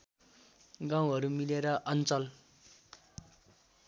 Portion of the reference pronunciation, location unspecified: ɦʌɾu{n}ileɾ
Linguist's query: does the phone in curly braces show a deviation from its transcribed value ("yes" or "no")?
yes